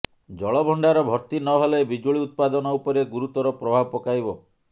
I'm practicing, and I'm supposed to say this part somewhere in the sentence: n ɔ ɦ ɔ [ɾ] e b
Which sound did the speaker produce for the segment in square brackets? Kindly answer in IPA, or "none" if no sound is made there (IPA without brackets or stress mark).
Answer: l